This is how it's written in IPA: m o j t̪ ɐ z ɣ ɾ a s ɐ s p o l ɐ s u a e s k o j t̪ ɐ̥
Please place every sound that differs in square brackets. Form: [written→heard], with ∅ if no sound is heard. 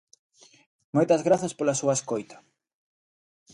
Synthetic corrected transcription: m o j t̪ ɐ z ɣ ɾ a [s→θ] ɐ s p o l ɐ s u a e s k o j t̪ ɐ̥